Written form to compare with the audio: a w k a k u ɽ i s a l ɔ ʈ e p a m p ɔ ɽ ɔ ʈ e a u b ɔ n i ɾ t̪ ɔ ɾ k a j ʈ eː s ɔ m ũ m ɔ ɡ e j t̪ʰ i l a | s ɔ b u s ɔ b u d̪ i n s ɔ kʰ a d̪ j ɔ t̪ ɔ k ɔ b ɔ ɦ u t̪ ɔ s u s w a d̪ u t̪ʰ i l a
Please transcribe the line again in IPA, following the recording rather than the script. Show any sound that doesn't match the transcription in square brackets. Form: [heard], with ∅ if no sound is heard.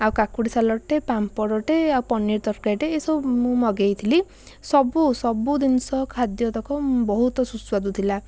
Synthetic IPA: a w k a k u ɽ i s a l ɔ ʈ e p a m p ɔ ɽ ɔ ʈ e a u [p] ɔ n i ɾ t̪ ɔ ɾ k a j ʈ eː s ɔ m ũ m ɔ ɡ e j t̪ʰ i l [i] | s ɔ b u s ɔ b u d̪ i n s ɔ kʰ a d̪ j ɔ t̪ ɔ k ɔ b ɔ ɦ u t̪ ɔ s u s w a d̪ u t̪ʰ i l a